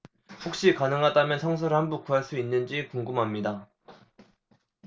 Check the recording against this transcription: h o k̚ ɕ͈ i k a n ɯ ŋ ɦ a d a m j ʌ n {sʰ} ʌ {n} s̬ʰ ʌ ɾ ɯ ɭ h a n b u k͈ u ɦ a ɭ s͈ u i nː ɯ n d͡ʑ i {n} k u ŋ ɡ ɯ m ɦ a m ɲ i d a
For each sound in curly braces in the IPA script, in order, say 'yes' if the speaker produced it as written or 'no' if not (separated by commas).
yes, no, no